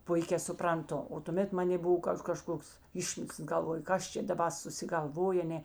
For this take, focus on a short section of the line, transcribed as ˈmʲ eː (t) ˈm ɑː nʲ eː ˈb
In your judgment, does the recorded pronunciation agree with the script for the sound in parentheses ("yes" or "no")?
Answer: yes